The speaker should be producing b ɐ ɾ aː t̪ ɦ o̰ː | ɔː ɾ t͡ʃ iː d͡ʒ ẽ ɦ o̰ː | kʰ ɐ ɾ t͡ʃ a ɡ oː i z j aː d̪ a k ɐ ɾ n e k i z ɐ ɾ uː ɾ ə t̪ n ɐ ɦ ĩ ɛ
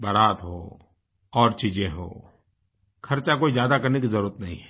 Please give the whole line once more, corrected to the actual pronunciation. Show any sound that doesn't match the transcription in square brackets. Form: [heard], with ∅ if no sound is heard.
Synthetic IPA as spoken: b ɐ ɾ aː t̪ ɦ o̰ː | ɔː ɾ t͡ʃ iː d͡ʒ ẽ ɦ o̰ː | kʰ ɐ ɾ t͡ʃ a [k] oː i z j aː d̪ a k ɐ ɾ n e k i z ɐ ɾ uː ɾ ə t̪ n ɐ ɦ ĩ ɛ

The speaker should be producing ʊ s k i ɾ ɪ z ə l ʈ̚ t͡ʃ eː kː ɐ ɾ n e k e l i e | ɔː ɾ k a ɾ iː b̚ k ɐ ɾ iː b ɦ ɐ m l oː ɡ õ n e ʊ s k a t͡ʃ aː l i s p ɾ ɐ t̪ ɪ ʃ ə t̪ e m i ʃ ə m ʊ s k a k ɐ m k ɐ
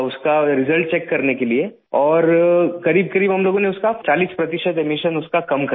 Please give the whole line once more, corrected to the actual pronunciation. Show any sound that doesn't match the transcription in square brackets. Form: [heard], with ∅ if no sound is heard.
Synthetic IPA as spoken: ʊ s k [a] ɾ ɪ z ə l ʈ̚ t͡ʃ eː kː ɐ ɾ n e k e l i e | ɔː ɾ k [ɐ] ɾ iː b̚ k ɐ ɾ iː b ɦ ɐ m l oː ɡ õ n e ʊ s k a t͡ʃ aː l [iː] s p ɾ ɐ t̪ ɪ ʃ ə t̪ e m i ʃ ə [n] ʊ s k a k ɐ m k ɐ

